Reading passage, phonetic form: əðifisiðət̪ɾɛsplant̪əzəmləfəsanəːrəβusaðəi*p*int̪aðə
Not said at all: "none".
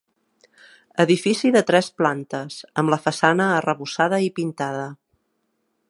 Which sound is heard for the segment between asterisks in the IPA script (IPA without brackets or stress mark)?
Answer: p